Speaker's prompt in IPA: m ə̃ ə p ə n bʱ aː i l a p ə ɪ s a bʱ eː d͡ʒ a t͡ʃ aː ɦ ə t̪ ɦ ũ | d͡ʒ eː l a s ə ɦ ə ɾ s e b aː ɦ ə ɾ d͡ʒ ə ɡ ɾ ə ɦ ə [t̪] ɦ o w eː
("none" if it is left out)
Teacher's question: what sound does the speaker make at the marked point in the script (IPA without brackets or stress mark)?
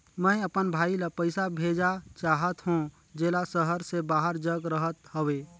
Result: t̪